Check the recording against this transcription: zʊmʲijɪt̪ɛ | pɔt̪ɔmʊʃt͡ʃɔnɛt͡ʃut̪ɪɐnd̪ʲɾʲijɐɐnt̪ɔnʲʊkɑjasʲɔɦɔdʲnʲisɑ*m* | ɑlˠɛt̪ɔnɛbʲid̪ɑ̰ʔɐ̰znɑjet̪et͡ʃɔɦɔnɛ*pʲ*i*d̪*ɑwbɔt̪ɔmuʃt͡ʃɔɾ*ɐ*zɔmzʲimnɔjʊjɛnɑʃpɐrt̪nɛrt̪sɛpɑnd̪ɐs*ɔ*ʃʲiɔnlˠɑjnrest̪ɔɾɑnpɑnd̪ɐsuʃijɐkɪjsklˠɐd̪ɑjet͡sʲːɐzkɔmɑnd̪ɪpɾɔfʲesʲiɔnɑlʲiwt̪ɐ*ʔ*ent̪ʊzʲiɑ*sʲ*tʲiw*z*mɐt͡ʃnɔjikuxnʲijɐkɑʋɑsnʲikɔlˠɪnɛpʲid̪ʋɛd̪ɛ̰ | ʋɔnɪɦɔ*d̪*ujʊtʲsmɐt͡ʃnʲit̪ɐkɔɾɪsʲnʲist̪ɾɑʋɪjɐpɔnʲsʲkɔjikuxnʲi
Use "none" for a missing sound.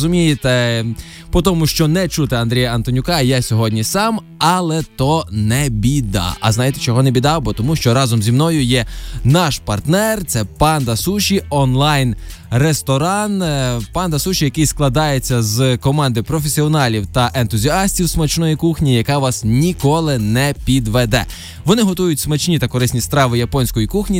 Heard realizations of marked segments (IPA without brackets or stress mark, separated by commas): m, bʲ, d̪, ɑ, u, ʔ, sʲ, s, t̪